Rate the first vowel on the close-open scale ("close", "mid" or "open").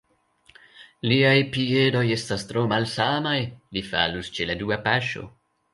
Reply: close